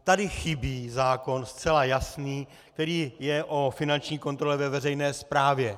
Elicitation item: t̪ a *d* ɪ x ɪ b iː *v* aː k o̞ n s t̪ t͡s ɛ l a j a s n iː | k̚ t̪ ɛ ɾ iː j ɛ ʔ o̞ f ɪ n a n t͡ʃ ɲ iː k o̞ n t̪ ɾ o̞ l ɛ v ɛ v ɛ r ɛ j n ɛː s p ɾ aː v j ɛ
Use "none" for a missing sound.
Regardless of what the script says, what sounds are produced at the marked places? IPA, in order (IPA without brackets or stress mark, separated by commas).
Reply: d, z